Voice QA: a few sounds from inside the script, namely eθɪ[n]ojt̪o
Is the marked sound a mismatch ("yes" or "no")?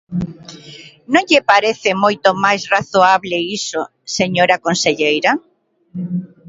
yes